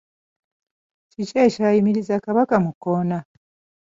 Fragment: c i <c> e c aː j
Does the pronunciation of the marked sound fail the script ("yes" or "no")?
no